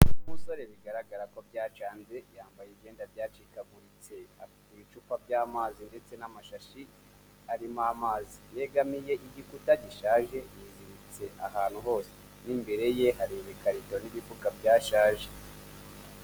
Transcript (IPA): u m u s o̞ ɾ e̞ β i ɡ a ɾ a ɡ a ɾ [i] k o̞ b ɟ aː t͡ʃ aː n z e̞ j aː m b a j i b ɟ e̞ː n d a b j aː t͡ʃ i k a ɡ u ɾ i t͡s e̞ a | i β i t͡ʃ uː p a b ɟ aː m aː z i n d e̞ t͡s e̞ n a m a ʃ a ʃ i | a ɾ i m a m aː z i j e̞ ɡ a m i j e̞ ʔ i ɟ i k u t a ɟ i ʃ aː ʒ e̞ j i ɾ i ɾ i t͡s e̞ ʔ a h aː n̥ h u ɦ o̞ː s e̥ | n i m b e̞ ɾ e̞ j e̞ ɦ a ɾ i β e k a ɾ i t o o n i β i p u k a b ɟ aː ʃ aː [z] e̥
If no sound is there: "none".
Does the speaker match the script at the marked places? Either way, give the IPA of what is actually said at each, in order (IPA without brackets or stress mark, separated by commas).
a, ʒ